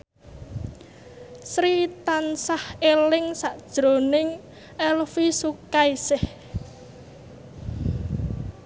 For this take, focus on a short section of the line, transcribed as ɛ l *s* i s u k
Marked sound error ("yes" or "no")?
yes